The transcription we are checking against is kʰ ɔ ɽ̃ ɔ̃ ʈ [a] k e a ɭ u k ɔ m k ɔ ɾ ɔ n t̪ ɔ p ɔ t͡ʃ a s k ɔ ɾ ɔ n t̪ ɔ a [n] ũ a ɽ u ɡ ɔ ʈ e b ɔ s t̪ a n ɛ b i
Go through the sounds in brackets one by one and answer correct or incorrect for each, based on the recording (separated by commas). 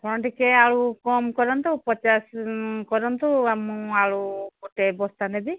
incorrect, incorrect